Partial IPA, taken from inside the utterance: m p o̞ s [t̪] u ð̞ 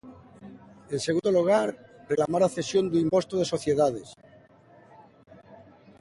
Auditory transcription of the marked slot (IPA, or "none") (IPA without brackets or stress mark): t̪